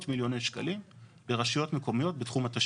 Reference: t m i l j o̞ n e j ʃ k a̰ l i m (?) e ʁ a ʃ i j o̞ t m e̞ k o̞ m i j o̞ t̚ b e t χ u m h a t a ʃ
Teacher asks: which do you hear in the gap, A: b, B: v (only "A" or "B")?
A